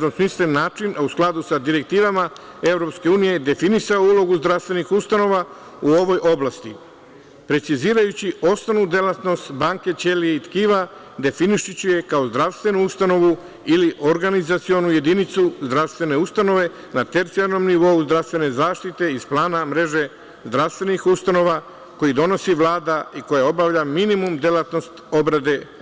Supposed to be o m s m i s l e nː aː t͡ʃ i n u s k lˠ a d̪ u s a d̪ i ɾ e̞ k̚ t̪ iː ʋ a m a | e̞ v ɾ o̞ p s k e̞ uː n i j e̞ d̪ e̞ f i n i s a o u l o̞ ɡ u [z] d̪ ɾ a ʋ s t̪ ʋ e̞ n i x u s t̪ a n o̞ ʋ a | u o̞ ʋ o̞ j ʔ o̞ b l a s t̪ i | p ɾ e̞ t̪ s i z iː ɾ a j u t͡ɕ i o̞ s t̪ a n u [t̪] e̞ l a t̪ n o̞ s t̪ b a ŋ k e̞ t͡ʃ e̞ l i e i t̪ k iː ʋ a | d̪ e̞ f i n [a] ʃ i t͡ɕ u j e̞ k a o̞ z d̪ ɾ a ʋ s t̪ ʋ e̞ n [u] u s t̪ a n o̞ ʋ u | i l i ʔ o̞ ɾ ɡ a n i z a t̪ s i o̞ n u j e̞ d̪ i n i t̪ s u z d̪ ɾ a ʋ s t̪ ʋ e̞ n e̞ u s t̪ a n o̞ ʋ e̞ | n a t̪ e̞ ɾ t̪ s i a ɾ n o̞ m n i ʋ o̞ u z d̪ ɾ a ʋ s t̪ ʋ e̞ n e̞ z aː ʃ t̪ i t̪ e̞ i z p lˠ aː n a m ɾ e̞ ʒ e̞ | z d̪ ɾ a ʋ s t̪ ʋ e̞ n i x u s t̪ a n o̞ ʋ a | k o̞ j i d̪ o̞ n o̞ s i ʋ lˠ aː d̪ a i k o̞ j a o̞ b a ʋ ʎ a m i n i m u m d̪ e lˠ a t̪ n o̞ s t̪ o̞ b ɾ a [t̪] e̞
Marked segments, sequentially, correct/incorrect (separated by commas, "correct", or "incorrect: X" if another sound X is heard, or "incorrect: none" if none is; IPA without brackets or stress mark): correct, incorrect: d̪, incorrect: i, correct, incorrect: d̪